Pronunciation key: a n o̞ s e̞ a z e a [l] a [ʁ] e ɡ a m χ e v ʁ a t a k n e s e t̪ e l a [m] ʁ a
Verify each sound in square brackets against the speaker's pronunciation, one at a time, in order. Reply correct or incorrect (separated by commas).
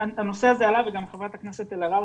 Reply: correct, incorrect, incorrect